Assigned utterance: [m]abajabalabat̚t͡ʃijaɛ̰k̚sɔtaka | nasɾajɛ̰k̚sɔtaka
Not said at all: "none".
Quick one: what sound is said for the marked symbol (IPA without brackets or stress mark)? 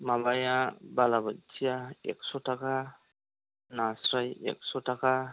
m